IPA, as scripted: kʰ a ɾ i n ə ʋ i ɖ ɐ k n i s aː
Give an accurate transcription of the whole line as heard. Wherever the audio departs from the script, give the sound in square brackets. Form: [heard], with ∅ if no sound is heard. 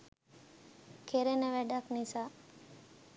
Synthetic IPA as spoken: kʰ [e] ɾ [e] n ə ʋ [æ] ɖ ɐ k n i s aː